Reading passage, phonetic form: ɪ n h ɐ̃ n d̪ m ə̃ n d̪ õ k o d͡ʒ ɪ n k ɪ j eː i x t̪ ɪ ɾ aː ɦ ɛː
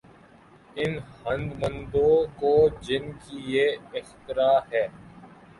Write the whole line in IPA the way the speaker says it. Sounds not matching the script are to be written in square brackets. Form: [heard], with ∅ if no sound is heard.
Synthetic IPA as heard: ɪ n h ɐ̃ n d̪ m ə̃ n d̪ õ k o d͡ʒ ɪ n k [i] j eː [ɪ] x t̪ ɪ ɾ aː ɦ ɛː